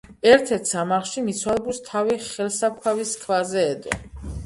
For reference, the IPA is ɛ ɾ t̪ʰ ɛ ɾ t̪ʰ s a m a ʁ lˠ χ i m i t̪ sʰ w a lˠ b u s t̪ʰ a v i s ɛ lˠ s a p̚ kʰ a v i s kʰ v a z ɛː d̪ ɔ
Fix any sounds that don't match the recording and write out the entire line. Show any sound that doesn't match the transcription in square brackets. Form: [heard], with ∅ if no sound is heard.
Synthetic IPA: ɛ ɾ t̪ʰ ɛ ɾ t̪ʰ s a m a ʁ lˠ [ʃ] i m i t̪ sʰ w a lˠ b u s t̪ʰ a v i [χ] ɛ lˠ s a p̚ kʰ a v i s kʰ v a z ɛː d̪ ɔ